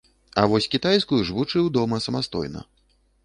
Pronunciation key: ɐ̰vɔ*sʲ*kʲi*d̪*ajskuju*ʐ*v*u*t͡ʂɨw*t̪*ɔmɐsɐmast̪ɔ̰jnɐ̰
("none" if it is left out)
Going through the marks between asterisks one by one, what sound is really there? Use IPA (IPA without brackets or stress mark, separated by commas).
sʲ, t̪, ʐ, u, d̪